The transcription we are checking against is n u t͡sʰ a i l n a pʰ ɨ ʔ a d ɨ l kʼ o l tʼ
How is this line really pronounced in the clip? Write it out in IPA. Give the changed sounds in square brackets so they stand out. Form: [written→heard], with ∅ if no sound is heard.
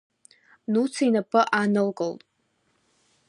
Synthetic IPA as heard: n u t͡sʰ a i [l→∅] n a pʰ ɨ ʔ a [d→n] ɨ l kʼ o l tʼ